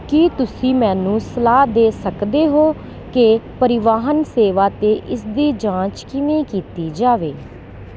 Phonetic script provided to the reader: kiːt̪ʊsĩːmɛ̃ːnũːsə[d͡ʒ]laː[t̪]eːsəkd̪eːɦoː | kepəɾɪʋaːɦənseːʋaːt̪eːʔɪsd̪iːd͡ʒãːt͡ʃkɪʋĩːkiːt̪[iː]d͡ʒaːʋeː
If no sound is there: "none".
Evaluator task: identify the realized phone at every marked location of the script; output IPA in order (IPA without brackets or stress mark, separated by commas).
none, d̪, iː